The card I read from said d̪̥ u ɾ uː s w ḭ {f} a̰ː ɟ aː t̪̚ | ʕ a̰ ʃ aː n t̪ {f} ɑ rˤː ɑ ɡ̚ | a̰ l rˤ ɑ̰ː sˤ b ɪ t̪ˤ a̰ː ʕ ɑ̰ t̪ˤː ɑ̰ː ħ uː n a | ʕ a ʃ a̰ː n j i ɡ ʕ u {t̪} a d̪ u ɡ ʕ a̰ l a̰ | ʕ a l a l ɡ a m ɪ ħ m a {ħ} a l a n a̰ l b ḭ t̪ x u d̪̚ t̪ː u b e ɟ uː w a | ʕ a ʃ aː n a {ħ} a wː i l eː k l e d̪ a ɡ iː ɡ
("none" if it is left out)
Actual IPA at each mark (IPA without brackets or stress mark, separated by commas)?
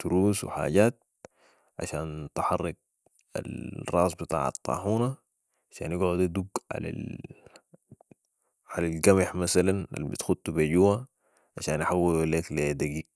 ħ, ħ, d̪, s, ħ